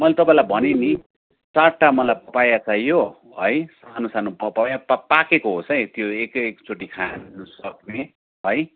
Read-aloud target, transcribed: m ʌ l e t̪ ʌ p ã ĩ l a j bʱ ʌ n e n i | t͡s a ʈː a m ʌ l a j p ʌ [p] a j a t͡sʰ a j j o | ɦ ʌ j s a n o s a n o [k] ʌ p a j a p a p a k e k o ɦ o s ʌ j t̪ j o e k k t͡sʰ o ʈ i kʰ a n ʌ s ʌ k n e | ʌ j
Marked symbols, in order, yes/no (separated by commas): yes, no